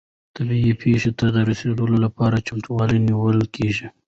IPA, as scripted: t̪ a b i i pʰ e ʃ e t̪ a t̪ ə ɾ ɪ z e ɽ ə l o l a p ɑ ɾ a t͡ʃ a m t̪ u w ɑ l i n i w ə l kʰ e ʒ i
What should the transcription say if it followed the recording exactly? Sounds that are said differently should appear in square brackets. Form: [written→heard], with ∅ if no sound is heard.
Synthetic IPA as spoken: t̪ a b i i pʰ e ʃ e t̪ a [t̪→d̪] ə ɾ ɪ [z→s] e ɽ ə l o l a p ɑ ɾ a t͡ʃ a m t̪ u w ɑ l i n i w ə l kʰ e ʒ i